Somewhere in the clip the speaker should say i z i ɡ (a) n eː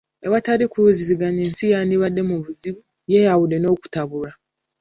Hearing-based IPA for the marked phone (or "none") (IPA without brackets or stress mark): a